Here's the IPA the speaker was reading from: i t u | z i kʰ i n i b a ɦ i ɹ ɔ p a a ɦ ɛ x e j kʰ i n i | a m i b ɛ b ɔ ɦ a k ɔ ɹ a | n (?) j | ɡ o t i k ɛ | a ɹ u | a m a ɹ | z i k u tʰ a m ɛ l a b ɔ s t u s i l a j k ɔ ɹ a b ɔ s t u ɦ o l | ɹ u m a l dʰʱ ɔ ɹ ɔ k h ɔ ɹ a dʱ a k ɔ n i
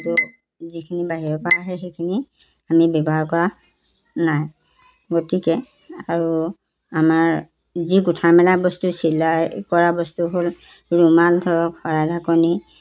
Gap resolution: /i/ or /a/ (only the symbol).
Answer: a